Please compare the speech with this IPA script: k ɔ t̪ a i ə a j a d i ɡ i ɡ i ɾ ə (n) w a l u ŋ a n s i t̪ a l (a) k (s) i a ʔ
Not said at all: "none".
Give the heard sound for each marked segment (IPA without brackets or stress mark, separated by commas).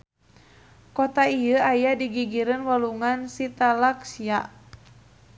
n, a, s